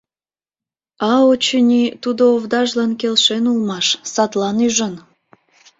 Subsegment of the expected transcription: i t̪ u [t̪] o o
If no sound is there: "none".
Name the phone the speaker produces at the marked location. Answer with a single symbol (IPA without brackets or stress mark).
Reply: d̪